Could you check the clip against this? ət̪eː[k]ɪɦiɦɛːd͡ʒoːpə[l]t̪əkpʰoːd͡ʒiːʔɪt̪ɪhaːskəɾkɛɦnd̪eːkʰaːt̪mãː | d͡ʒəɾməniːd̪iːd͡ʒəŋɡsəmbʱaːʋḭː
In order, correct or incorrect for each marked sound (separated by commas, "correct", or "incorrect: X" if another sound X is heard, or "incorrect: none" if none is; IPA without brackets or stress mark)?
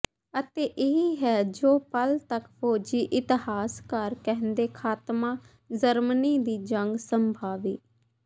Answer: incorrect: ʔ, correct